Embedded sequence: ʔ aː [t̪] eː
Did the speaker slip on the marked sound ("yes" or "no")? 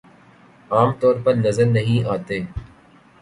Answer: no